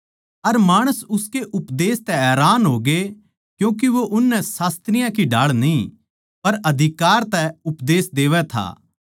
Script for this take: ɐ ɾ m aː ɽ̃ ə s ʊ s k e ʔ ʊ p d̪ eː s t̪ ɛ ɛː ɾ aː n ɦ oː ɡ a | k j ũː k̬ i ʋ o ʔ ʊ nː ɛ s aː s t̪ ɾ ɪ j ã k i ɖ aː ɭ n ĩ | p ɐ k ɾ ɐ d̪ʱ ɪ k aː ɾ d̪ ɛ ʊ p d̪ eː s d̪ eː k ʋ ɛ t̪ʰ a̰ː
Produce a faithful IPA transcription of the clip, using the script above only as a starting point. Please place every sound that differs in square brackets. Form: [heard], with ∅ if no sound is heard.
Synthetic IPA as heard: ɐ ɾ m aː ɽ̃ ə s ʊ s k e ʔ ʊ p d̪ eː s t̪ ɛ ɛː ɾ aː n ɦ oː ɡ [e] | k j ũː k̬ i ʋ o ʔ ʊ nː ɛ s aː s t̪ ɾ ɪ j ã k i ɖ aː ɭ n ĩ | p ɐ [∅] ɾ ɐ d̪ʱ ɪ k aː ɾ [t̪] ɛ ʊ p d̪ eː s d̪ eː [∅] ʋ ɛ t̪ʰ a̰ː